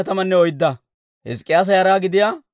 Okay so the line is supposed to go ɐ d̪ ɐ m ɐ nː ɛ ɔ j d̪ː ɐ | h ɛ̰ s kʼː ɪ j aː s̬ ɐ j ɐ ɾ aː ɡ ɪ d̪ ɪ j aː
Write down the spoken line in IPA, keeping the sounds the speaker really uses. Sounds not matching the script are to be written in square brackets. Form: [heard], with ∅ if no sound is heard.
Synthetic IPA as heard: ɐ [t̪] ɐ m ɐ nː ɛ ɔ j d̪ː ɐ | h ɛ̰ s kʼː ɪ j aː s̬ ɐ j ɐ ɾ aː ɡ ɪ d̪ ɪ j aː